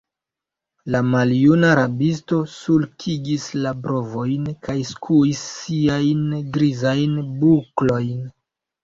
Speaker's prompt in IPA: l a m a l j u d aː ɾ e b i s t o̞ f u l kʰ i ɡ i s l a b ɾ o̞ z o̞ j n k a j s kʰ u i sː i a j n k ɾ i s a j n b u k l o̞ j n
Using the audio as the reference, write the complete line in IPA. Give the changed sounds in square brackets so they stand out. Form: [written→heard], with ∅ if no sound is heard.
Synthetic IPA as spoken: l a m a l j u [d→n] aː ɾ [e→a] b i s t o̞ [f→s] u l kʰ i ɡ i s l a b ɾ o̞ [z→v] o̞ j n k a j s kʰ u i sː i a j n [k→ɡ] ɾ i [s→z] a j n b u k l o̞ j n